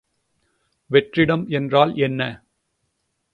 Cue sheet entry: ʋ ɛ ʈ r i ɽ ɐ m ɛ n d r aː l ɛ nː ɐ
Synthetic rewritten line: ʋ ɛ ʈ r ɪ ɽ ɐ m ɛ n d r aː l ɛ nː ɐ